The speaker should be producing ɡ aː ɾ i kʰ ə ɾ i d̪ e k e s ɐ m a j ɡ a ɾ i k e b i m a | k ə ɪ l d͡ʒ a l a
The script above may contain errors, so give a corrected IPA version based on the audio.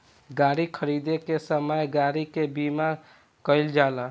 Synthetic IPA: ɡ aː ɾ i kʰ ə ɾ i d̪ e k e s ə m ə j ɡ a ɾ i k e b i m a | k ə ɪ l d͡ʒ a l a